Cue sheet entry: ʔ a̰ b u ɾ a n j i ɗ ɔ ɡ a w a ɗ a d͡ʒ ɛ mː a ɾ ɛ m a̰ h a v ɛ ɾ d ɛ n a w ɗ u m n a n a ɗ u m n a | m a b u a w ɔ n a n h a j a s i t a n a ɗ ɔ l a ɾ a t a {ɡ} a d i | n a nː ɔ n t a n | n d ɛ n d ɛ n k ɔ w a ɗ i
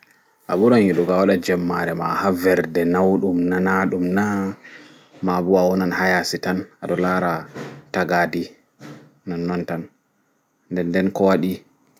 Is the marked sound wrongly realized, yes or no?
no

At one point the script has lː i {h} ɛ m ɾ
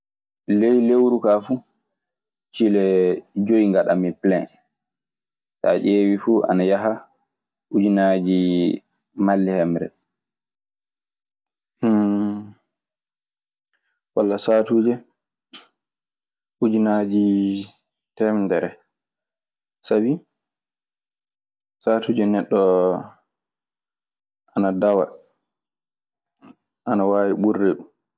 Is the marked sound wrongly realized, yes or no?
no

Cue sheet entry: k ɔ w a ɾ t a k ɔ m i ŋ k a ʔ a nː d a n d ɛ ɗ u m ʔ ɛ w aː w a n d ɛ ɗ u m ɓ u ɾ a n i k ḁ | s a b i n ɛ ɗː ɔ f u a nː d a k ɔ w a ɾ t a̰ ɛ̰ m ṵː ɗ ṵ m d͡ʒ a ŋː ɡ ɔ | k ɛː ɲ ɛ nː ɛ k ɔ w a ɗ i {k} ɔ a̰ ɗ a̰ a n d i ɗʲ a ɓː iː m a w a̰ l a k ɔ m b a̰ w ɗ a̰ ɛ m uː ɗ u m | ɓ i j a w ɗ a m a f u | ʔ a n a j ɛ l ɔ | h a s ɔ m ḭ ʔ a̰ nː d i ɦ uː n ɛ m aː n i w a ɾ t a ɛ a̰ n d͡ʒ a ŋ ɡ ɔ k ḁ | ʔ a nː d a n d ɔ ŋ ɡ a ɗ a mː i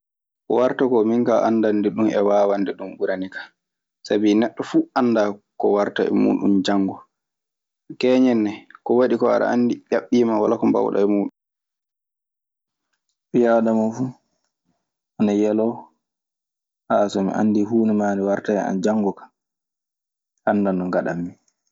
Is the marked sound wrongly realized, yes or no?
no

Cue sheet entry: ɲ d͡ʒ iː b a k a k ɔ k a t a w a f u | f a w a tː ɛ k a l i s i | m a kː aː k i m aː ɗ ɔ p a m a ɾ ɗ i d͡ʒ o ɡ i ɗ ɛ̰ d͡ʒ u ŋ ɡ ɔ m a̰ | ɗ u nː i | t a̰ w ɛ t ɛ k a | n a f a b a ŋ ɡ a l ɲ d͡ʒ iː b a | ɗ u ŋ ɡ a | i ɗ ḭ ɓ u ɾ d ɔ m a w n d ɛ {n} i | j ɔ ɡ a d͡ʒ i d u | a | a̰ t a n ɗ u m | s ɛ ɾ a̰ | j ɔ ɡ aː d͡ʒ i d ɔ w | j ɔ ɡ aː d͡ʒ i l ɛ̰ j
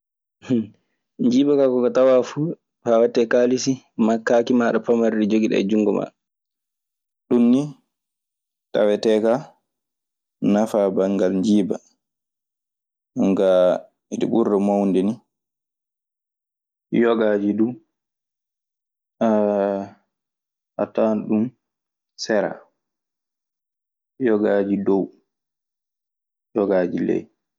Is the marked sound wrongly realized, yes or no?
no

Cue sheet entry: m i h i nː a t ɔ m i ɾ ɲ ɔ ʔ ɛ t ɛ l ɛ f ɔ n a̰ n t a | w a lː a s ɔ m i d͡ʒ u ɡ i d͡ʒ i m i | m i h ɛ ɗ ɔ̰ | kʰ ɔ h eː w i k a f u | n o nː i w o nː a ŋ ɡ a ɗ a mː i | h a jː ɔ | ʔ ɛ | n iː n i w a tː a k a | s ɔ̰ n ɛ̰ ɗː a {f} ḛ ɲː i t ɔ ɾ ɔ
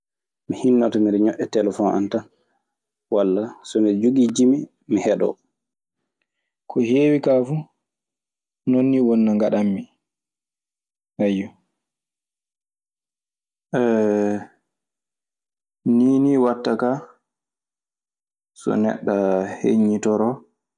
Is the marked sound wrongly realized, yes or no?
yes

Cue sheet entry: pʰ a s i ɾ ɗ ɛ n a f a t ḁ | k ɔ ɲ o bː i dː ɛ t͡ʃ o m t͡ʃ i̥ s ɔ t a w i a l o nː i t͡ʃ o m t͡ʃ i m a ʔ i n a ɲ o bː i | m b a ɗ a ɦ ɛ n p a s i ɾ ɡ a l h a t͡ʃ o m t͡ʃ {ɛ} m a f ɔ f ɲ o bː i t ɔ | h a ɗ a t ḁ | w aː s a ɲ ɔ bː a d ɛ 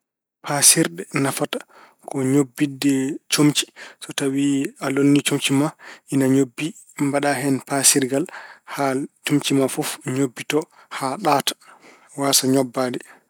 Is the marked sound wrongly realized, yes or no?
yes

